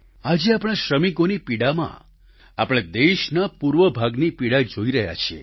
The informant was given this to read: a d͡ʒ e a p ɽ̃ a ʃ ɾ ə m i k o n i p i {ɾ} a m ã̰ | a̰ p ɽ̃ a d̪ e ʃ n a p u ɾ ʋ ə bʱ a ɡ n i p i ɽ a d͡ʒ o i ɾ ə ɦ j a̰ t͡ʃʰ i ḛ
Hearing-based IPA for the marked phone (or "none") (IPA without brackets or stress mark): ɽ